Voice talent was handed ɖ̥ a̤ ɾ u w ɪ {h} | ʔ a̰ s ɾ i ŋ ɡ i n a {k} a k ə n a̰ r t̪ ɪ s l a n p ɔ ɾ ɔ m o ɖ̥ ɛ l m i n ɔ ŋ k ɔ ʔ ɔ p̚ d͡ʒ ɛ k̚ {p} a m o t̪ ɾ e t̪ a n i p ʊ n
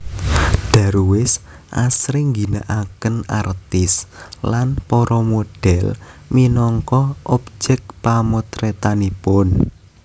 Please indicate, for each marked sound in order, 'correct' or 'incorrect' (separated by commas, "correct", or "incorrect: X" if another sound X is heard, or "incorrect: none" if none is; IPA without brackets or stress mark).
incorrect: s, incorrect: ʔ, correct